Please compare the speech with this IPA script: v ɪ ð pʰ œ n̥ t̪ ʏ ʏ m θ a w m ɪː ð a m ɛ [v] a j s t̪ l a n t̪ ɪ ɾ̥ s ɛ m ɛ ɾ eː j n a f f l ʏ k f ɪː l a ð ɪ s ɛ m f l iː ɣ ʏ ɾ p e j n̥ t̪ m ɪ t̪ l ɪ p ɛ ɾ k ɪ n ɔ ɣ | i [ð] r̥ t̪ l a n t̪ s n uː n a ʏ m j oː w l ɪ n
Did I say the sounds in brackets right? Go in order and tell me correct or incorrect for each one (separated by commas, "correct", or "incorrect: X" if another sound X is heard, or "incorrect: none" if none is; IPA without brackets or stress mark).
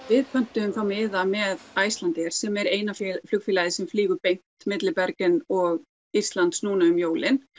incorrect: ð, incorrect: none